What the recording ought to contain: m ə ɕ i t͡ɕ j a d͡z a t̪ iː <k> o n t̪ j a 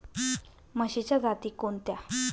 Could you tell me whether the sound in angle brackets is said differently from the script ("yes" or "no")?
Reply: no